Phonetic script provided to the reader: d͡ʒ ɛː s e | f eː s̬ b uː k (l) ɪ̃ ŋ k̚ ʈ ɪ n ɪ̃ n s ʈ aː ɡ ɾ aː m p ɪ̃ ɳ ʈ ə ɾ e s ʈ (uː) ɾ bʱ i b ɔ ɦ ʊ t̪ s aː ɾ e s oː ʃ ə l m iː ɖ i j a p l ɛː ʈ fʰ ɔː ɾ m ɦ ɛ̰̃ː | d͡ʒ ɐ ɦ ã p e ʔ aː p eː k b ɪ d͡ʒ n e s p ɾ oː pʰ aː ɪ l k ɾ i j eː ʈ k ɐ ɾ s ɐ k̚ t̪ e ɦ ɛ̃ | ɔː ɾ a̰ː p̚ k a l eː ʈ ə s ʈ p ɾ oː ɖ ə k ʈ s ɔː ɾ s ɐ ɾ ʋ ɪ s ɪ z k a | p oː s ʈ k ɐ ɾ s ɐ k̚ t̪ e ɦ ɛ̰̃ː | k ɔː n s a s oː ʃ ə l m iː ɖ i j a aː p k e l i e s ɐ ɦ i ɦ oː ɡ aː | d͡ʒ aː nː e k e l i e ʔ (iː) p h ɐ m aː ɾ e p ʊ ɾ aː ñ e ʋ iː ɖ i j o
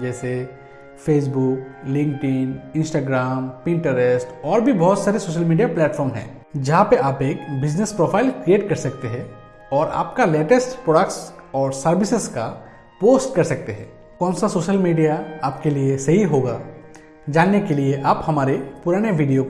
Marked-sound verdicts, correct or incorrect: correct, incorrect: ɔː, incorrect: aː

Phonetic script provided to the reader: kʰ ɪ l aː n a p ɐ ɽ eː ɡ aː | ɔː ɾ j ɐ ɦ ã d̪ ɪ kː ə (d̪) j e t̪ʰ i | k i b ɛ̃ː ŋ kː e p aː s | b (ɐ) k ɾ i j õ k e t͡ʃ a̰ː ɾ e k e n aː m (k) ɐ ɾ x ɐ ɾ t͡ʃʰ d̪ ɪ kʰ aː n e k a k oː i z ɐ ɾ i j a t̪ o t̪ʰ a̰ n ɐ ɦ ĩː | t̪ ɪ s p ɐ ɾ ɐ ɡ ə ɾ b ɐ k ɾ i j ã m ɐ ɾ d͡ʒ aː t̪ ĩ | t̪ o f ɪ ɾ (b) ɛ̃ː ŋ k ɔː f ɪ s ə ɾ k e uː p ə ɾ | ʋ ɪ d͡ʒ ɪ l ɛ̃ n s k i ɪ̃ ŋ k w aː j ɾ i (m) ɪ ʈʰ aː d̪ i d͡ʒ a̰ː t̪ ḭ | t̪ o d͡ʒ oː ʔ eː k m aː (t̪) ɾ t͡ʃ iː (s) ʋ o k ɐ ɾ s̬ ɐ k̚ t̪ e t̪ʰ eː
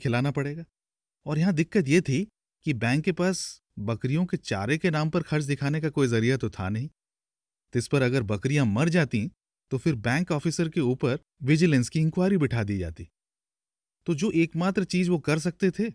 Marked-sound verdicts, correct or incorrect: incorrect: t̪, correct, incorrect: p, correct, incorrect: b, correct, incorrect: z

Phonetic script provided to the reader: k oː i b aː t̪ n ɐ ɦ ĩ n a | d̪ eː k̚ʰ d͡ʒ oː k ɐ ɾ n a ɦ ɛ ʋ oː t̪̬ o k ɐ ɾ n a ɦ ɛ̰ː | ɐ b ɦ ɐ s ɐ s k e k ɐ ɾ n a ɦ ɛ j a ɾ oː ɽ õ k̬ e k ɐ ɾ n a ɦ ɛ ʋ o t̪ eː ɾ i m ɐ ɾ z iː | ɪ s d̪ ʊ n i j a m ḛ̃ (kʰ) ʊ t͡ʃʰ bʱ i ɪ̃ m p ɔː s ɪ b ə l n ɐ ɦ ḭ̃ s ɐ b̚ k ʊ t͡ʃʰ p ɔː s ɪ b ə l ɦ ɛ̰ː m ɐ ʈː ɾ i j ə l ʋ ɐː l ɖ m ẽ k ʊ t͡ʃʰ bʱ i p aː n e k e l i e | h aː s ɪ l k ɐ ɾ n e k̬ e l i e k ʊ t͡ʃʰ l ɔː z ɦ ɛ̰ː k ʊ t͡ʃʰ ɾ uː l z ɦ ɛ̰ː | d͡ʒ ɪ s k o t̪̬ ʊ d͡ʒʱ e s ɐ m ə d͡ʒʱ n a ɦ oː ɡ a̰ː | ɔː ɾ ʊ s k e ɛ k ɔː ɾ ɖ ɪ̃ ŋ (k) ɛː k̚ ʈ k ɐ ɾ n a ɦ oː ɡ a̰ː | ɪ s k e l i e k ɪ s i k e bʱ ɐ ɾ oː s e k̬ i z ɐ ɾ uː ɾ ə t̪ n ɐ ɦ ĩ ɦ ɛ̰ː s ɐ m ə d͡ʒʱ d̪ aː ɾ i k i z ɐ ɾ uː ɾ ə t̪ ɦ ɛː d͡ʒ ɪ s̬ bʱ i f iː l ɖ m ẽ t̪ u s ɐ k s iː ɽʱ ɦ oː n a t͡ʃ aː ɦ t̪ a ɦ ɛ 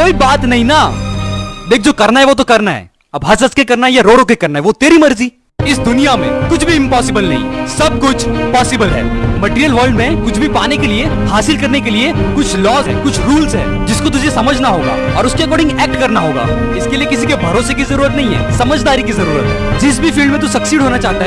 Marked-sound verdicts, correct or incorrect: incorrect: k, incorrect: ɡ

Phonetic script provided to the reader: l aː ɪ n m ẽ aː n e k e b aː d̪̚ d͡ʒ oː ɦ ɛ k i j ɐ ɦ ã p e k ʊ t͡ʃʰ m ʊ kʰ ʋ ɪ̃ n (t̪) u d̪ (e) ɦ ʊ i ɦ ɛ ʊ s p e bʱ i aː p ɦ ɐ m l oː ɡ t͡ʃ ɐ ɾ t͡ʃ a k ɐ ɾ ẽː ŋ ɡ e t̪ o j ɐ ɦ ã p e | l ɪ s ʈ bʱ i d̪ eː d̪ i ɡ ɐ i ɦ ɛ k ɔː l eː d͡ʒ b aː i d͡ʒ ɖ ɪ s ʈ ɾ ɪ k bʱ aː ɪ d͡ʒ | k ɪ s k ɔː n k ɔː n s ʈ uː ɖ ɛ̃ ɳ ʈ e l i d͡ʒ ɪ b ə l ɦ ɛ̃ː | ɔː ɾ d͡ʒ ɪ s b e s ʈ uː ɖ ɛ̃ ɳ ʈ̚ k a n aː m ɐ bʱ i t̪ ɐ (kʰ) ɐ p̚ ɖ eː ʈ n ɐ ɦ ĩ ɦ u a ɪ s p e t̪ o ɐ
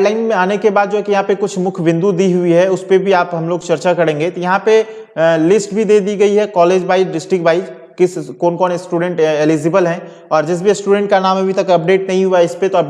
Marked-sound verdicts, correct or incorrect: incorrect: d̪, incorrect: i, incorrect: k

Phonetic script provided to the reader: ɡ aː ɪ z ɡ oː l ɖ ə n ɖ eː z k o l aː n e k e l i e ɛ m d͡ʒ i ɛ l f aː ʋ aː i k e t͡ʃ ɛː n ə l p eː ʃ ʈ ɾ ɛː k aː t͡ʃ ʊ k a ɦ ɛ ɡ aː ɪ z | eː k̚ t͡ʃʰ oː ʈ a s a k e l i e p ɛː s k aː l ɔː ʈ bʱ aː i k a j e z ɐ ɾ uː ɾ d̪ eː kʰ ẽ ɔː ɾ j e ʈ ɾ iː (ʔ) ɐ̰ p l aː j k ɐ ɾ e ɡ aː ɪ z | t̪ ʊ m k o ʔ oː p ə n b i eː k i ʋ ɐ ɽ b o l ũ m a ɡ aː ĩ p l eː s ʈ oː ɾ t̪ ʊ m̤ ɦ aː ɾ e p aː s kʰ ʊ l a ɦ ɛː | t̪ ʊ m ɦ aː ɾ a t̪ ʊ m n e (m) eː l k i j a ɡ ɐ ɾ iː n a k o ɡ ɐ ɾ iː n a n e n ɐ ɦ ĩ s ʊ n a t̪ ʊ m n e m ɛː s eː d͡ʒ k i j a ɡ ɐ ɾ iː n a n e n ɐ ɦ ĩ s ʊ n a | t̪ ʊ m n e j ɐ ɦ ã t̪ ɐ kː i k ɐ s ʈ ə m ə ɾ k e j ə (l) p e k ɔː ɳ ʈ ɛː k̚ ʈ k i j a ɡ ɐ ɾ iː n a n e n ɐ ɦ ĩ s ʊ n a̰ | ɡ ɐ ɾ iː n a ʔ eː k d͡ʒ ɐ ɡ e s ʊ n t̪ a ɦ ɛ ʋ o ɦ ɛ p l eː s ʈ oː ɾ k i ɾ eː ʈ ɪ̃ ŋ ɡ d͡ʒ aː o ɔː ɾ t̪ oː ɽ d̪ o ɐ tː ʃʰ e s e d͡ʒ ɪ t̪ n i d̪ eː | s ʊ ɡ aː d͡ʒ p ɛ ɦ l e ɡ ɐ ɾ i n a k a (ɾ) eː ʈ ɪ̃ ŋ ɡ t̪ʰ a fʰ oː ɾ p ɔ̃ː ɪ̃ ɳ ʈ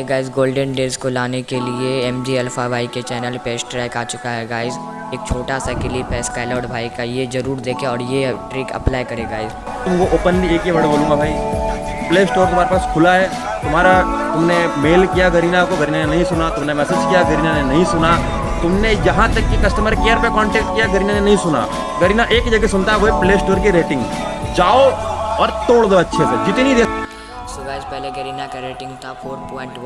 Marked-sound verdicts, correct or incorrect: incorrect: k, correct, incorrect: ɾ, correct

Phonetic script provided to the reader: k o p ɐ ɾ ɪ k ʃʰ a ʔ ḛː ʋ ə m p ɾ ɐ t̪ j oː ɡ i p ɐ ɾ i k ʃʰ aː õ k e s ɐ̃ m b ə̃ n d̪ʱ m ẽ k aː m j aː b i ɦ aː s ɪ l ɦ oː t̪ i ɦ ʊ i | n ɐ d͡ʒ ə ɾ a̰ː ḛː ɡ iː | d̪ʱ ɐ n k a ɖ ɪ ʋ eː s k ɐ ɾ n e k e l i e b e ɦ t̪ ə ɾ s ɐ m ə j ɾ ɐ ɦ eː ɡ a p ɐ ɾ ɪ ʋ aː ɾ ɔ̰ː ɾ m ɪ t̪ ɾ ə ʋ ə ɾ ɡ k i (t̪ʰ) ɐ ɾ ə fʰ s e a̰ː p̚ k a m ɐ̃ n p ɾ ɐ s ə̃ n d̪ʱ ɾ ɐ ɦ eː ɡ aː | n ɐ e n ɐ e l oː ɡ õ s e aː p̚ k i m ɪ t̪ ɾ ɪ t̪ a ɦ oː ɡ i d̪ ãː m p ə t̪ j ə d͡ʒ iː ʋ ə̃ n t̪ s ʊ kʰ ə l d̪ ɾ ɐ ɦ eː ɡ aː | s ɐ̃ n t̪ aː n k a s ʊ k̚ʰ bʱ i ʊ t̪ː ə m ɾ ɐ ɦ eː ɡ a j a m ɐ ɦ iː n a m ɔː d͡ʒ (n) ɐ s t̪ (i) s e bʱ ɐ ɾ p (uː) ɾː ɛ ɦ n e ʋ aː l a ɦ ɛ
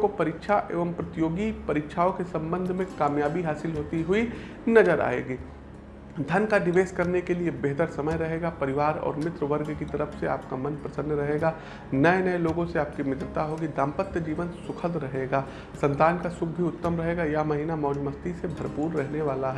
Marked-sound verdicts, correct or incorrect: incorrect: t̪, incorrect: m, correct, correct

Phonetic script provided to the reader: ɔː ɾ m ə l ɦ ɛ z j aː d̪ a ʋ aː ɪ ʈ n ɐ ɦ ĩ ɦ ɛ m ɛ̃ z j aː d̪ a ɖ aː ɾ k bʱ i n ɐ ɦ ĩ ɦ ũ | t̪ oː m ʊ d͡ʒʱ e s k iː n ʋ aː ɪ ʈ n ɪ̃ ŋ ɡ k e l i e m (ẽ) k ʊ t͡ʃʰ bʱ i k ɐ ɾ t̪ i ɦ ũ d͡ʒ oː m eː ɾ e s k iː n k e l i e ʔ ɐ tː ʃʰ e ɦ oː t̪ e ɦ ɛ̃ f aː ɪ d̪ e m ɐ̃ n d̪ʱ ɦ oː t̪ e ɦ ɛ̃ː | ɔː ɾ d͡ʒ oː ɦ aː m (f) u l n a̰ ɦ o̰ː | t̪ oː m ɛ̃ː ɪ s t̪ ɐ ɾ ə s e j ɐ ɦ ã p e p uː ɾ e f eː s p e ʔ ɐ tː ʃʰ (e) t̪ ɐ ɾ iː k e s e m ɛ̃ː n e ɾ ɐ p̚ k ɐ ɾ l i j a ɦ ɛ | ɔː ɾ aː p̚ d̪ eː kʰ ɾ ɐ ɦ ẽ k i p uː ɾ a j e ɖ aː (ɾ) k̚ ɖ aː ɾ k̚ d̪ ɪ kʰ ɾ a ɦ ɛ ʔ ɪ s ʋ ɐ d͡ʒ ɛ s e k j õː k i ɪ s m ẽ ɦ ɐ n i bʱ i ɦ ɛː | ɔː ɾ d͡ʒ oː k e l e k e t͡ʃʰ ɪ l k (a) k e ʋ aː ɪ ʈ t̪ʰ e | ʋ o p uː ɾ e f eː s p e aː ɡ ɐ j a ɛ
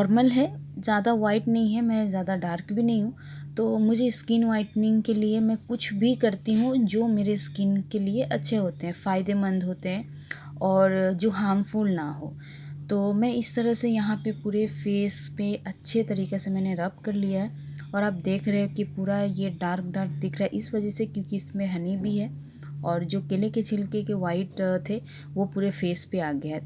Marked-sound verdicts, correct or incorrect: incorrect: ɛ̃, correct, correct, correct, incorrect: e

